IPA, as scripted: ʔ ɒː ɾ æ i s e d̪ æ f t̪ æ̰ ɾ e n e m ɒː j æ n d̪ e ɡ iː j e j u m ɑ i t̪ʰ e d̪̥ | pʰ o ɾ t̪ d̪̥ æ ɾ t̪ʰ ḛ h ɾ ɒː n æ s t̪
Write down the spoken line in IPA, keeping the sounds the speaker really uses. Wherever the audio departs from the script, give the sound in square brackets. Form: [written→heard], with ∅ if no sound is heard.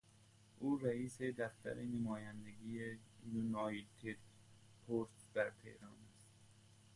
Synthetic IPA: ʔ [ɒː→uː] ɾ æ [i→iː] s e d̪ æ f t̪ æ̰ ɾ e n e m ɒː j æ n d̪ e ɡ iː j e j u [m→n] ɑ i t̪ʰ e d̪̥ | pʰ o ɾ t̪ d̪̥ æ ɾ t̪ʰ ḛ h ɾ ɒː n æ s t̪

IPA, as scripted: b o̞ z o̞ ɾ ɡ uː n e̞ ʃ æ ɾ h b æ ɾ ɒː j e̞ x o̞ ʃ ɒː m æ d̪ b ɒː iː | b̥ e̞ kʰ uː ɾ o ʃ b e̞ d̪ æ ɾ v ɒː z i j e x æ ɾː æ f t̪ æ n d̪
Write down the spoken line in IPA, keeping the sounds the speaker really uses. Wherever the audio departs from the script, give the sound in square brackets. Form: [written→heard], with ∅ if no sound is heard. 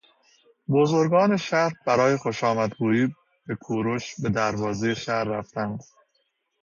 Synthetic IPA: b o̞ z o̞ ɾ ɡ [uː→ɒː] n e̞ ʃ æ ɾ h b æ ɾ ɒː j e̞ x o̞ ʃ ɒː m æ d̪ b [ɒː→uː] iː | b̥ e̞ kʰ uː ɾ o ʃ b e̞ d̪ æ ɾ v ɒː z [i→e] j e [x→ʃ] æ ɾː æ f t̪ æ n d̪

